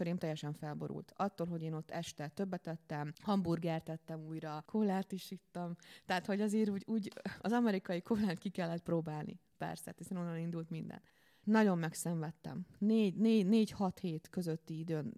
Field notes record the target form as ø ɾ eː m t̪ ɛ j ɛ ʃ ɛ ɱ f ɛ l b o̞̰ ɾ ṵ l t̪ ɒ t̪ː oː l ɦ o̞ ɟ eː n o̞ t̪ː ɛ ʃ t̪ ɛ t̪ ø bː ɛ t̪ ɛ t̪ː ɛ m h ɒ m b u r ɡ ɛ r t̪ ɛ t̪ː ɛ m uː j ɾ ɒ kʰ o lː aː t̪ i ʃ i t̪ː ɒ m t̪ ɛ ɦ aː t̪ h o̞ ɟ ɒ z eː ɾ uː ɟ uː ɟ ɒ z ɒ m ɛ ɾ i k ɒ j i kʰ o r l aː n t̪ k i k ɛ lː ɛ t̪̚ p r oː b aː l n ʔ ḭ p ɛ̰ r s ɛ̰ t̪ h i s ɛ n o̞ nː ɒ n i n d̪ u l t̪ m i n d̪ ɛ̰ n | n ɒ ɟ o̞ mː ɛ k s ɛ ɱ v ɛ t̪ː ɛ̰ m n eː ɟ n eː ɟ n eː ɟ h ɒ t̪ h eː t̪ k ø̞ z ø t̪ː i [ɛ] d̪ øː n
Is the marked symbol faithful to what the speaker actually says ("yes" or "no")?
no